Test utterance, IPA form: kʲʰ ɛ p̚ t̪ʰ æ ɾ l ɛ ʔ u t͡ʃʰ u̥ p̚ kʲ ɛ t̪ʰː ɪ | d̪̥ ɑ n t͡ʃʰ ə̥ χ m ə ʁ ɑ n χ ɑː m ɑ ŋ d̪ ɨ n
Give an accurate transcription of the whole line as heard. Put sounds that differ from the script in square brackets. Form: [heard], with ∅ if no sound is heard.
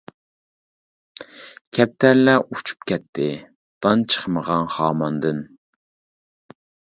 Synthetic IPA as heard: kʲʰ ɛ p̚ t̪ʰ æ ɾ l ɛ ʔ u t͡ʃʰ u̥ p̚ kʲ ɛ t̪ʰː ɪ | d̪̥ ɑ n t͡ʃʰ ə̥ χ m ə ʁ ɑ n χ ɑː m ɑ [n] d̪ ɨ n